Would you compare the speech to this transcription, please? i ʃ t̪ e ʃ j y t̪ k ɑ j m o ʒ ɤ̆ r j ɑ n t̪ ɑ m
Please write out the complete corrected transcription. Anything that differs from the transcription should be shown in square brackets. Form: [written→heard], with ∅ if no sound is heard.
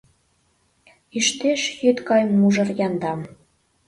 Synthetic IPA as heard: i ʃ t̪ e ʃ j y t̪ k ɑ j m [o→u] ʒ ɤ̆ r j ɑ n [t̪→d̪] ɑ m